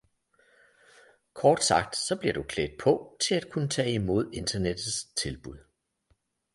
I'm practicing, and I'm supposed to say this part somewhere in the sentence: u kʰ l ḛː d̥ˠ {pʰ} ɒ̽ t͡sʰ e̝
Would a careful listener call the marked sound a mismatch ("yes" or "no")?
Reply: no